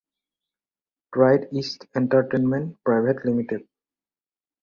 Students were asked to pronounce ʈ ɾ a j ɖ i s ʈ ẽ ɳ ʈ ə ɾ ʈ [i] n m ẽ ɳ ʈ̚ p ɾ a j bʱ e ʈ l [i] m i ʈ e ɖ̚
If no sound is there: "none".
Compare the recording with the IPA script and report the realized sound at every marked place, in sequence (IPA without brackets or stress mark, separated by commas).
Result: e, i